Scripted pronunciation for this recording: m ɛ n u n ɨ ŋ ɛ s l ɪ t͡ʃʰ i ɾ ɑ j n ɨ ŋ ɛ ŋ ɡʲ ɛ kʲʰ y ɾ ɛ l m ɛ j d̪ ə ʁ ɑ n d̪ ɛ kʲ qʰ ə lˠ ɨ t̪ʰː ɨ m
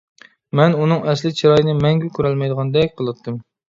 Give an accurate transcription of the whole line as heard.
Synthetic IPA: m ɛ n u n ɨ ŋ ɛ s l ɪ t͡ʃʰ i ɾ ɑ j n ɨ m ɛ ŋ ɡʲ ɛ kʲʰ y ɾ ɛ l m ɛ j d̪ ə ʁ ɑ n d̪ ɛ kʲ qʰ ə lˠ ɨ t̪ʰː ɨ m